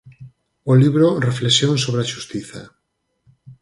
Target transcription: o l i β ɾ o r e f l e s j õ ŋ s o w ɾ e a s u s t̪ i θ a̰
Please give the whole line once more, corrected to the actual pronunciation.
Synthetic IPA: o l i β ɾ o r e f l e s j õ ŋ s o β ɾ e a ʃ u s t̪ i θ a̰